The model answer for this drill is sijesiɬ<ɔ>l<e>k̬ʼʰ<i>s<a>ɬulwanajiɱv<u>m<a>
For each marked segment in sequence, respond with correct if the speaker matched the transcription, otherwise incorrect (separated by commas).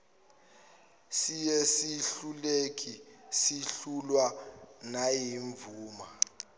incorrect, correct, correct, incorrect, incorrect, correct